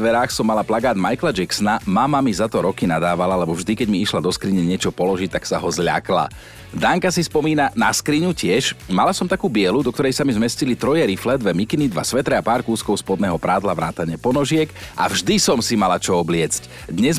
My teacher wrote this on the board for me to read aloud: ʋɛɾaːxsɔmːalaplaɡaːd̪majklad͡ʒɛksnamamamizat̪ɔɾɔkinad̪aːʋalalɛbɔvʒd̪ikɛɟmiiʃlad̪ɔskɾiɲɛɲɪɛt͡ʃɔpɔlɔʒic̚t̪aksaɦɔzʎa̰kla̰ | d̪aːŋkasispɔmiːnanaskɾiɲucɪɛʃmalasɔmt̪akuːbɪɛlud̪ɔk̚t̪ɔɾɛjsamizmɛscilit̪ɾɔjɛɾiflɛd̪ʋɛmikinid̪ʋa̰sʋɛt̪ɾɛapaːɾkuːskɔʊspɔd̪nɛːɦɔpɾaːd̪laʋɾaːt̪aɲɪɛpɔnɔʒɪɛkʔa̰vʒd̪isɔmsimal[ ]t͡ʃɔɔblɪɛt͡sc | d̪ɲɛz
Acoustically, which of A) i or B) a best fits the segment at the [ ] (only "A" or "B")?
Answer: B